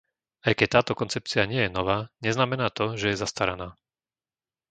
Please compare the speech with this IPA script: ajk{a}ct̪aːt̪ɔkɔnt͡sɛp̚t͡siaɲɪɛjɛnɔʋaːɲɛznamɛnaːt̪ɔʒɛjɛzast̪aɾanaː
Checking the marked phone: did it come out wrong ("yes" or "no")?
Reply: yes